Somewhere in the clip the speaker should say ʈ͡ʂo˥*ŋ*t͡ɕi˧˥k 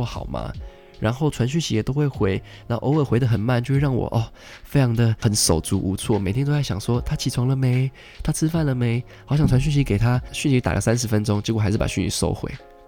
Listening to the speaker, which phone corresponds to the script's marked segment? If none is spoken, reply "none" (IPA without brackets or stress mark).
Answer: ŋ